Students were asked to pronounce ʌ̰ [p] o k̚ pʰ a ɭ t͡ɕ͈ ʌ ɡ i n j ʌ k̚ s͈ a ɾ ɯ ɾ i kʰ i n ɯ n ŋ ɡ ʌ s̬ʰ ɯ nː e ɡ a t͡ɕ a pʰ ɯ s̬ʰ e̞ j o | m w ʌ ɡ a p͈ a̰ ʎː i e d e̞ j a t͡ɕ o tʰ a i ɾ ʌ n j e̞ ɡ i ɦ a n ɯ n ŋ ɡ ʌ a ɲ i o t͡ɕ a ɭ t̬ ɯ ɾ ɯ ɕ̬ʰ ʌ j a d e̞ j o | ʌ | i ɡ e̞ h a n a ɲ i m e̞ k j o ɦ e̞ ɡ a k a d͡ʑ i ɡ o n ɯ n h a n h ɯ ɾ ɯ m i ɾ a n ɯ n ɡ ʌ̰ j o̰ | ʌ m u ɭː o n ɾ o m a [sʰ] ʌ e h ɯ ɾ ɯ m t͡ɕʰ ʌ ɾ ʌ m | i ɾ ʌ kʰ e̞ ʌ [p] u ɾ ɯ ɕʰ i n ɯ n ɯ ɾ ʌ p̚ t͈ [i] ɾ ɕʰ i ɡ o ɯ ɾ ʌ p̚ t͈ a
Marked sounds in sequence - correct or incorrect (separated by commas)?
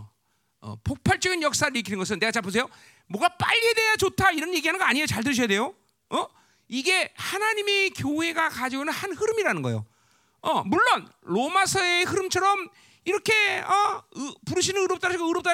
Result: correct, correct, correct, incorrect